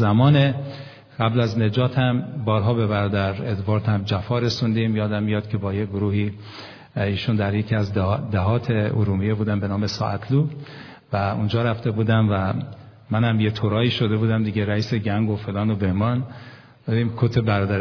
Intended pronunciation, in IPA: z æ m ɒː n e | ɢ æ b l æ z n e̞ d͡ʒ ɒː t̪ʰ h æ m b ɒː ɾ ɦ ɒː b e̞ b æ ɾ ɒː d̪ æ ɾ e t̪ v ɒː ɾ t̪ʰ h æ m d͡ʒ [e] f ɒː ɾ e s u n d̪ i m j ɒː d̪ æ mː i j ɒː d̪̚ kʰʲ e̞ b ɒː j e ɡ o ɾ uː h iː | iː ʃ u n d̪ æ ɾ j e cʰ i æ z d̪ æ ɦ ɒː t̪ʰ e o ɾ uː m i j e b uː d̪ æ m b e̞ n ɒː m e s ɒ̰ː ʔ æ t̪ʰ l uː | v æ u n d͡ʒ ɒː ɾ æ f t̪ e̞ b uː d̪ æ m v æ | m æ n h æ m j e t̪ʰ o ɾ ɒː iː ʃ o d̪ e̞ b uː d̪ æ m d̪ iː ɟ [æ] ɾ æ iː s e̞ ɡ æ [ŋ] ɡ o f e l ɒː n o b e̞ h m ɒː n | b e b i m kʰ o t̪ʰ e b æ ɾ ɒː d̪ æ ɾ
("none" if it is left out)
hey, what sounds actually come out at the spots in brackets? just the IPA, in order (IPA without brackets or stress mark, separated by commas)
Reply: æ, e, ŋ